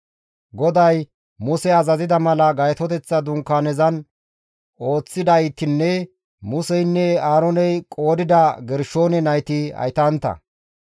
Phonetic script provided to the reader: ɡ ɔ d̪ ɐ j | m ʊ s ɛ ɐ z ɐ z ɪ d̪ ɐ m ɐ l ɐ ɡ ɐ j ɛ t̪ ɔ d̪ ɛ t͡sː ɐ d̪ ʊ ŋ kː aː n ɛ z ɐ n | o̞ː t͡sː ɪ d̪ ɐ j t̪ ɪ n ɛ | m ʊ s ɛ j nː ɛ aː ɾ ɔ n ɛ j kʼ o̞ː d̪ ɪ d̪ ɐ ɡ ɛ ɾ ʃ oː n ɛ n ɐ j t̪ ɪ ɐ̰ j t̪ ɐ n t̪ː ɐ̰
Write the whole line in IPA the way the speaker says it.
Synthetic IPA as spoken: ɡ ɔ d̪ ɐ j | m ʊ s ɛ ɐ z ɐ z ɪ d̪ ɐ m ɐ l ɐ ɡ ɐ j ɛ t̪ ɔ t̪ ɛ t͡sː ɐ d̪ ʊ ŋ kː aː n ɛ z ɐ n | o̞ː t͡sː ɪ d̪ ɐ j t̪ ɪ nː ɛ | m ʊ s ɛ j nː ɛ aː ɾ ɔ n ɛ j kʼ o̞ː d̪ ɪ d̪ ɐ ɡ ɛ ɾ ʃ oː n ɛ n ɐ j t̪ ɪ ɐ̰ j t̪ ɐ n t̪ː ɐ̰